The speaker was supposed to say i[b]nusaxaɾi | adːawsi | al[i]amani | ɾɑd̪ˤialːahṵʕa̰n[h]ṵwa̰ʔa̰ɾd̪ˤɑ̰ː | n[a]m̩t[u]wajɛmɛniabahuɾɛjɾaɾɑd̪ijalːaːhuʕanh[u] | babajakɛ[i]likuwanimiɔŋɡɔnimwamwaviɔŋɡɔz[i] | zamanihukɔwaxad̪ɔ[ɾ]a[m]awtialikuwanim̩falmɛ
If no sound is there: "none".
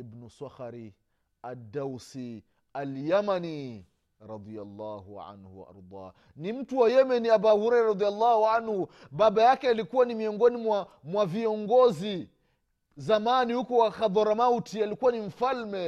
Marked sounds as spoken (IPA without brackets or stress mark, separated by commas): b, j, h, i, u, u, a, i, ɾ, m